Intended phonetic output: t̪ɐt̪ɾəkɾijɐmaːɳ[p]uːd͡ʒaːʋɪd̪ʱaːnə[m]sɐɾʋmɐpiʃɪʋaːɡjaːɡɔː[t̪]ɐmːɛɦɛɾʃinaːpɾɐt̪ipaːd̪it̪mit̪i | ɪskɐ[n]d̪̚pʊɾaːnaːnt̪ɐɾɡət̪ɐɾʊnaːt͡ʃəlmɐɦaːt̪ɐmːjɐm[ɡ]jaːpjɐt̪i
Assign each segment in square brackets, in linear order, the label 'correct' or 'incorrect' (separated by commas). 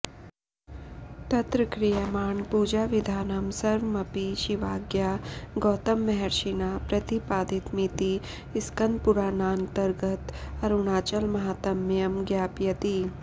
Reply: correct, correct, correct, correct, correct